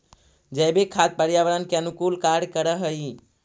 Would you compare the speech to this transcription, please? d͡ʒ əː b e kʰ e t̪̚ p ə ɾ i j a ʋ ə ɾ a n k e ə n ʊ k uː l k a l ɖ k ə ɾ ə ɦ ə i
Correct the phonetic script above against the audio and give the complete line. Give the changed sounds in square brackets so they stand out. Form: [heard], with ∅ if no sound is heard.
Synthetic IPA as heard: d͡ʒ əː b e kʰ [a] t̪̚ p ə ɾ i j a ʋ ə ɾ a n k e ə n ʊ k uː l k a [ɾ] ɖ k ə ɾ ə ɦ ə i